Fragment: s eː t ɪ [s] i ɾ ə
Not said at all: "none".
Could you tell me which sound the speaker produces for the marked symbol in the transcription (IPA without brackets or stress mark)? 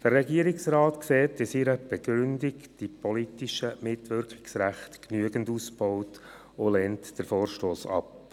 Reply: s